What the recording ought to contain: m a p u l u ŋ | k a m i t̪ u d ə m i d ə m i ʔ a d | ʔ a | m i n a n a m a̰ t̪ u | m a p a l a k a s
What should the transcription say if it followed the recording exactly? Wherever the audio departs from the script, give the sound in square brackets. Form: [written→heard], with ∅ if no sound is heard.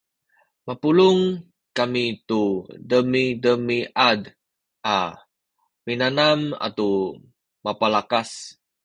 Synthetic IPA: m a p u l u ŋ | k a m i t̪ u d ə m i d ə m i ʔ a d | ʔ a | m i n a n a m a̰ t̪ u | m a p a l a k a s